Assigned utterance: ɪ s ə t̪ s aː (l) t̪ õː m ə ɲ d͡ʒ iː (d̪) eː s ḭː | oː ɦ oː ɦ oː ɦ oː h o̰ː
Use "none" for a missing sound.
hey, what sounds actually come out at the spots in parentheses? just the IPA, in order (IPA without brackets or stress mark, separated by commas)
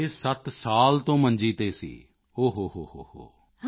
l, t̪